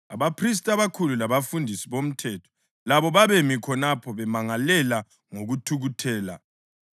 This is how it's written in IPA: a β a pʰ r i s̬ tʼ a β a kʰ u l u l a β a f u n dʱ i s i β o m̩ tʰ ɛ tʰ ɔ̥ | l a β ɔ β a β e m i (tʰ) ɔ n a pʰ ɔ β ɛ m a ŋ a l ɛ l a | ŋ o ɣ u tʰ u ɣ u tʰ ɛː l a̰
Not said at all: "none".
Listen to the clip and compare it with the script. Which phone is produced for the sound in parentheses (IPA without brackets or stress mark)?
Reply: kʰ